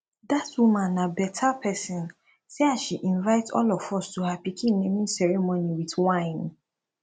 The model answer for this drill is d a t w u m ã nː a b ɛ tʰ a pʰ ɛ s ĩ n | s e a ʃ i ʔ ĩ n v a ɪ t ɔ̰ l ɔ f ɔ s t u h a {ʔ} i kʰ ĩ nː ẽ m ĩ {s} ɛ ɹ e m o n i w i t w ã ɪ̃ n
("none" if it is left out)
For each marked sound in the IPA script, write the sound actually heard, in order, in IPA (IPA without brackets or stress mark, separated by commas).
p, s